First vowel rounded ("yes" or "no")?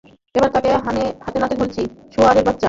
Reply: no